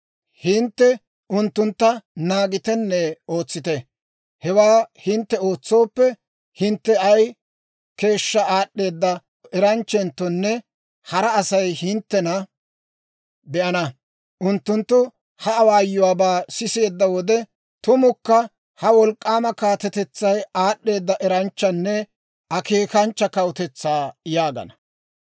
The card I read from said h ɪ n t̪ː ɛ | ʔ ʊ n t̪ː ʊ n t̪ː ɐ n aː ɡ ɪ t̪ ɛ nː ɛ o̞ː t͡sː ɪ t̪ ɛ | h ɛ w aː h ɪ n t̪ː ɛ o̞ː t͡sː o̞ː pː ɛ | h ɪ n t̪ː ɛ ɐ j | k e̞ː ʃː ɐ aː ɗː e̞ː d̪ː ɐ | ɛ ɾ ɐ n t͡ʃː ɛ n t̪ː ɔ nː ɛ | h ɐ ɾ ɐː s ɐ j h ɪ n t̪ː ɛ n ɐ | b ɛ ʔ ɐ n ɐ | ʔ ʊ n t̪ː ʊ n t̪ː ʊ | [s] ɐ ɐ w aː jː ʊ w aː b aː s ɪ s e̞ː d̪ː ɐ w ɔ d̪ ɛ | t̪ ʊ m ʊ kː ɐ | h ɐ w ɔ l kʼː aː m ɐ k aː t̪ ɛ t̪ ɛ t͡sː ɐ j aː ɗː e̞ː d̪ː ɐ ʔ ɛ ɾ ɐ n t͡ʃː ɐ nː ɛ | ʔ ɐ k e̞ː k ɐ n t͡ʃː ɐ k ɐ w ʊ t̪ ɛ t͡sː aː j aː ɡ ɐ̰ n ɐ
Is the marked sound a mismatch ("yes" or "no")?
yes